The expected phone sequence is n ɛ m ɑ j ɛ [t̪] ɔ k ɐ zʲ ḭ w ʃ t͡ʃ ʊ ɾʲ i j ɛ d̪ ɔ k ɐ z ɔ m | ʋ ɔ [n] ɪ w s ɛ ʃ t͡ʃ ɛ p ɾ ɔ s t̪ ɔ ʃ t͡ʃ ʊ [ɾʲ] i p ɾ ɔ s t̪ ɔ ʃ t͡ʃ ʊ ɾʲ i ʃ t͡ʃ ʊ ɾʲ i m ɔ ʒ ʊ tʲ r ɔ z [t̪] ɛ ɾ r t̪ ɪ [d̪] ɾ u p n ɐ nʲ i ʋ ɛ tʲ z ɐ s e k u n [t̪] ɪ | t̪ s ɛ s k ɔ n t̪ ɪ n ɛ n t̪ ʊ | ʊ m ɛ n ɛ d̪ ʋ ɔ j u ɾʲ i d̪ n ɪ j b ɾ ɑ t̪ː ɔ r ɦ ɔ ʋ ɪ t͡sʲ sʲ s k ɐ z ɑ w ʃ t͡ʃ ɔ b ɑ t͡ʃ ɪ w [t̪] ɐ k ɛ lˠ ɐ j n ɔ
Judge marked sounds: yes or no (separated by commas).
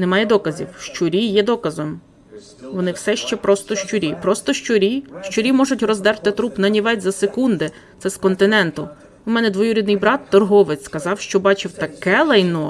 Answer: no, yes, yes, no, no, no, yes